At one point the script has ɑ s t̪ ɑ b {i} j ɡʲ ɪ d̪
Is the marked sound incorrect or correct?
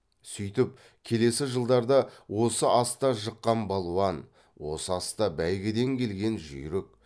incorrect